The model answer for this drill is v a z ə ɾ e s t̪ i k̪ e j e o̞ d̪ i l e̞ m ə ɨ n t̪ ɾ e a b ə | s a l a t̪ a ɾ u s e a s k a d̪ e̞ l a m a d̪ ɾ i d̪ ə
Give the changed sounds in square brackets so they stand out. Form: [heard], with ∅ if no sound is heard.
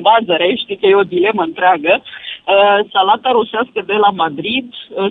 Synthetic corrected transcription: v a z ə ɾ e [ʃ] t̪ i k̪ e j e o̞ d̪ i l e̞ m ə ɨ n t̪ ɾ e a [ɡ] ə | s a l a t̪ a ɾ u s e a s k [ə] d̪ e̞ l a m a d̪ ɾ i d̪ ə